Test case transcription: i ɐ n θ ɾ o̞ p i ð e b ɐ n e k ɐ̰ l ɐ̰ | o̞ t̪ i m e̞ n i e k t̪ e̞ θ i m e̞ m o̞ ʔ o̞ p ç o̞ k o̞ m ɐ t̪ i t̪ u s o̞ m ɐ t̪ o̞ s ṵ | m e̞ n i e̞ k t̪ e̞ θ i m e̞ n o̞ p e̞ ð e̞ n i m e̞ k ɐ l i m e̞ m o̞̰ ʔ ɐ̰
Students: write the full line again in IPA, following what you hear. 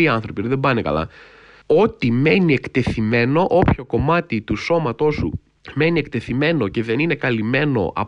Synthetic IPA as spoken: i ɐ n θ ɾ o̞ p i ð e b ɐ n e k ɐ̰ l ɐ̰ | o̞ t̪ i m e̞ n i e k t̪ e̞ θ i m e̞ n o̞ ʔ o̞ p ç o̞ k o̞ m ɐ t̪ i t̪ u s o̞ m ɐ t̪ o̞ s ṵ | m e̞ n i e̞ k t̪ e̞ θ i m e̞ n o̞ c e̞ ð e̞ n i n e̞ k ɐ l i m e̞ n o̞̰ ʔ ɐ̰